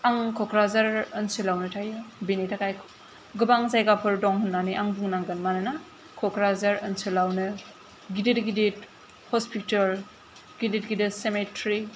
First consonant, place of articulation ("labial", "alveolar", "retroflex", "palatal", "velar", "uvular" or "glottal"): velar